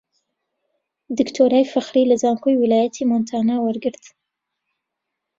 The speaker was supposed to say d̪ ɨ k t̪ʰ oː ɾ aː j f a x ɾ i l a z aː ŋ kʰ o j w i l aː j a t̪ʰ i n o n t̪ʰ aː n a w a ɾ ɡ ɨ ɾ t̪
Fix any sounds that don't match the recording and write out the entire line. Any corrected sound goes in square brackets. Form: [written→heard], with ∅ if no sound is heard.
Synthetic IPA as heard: d̪ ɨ k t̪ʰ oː ɾ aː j f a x ɾ i l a z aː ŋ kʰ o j w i l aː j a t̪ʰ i [n→m] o n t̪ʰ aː n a w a ɾ ɡ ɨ ɾ t̪